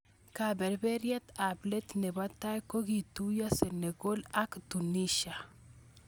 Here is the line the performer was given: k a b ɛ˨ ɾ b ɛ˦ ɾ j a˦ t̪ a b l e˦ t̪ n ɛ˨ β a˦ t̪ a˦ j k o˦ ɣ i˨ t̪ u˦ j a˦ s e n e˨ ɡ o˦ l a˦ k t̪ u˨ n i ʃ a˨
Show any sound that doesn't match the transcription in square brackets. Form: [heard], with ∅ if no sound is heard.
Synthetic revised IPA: k a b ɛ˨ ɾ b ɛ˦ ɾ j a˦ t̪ a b l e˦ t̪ n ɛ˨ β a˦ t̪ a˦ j k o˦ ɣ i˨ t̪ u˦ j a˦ s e n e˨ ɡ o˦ l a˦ k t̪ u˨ n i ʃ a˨